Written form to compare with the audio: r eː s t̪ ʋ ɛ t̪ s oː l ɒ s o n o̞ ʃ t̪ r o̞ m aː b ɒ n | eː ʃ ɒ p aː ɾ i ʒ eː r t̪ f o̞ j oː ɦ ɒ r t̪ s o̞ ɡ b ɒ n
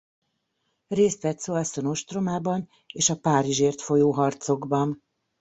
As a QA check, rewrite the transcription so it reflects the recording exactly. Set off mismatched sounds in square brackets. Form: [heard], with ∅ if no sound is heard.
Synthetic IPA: r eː s t̪ ʋ ɛ t̪ s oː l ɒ s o n o̞ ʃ t̪ r o̞ m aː b ɒ n | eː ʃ ɒ p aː ɾ i ʒ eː r t̪ f o̞ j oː ɦ ɒ r t̪ s o̞ ɡ b ɒ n

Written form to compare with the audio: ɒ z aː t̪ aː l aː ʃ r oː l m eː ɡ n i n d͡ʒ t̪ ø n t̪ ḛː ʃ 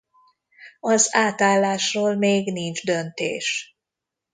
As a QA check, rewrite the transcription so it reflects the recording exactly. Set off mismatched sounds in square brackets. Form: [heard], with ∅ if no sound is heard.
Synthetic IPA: ɒ z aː t̪ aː [lː] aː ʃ r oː l m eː ɡ n i n d͡ʒ [d̪] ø n t̪ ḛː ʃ

